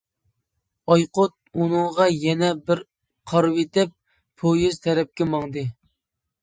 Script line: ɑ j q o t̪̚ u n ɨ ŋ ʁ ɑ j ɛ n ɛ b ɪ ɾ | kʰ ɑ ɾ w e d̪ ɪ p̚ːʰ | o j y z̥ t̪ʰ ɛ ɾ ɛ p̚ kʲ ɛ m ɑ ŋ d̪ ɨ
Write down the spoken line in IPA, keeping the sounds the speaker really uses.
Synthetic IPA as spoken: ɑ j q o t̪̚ u n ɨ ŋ ʁ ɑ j ɛ n ɛ b ɪ ɾ | qʰ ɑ ɾ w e t̪ ɪ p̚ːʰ | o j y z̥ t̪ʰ ɛ ɾ ɛ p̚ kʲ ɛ m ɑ ŋ d̪ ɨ